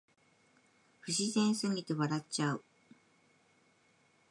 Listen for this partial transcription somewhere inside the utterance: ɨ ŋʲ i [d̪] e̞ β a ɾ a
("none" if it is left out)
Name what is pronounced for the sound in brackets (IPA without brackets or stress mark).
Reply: t̪